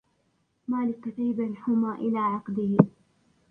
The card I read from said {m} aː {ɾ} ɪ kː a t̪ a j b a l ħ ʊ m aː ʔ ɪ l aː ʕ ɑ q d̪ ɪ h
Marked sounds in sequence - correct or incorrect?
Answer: correct, incorrect: l

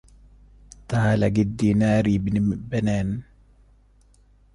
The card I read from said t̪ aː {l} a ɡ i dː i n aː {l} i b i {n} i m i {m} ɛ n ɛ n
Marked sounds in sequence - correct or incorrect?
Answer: correct, incorrect: ɾ, correct, incorrect: b

